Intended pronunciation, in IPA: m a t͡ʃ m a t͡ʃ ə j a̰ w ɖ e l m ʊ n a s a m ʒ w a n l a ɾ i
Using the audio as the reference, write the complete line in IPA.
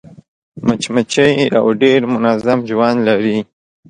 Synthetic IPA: m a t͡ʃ m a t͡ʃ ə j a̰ w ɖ e ɾ m ʊ n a z a m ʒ w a n l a ɾ i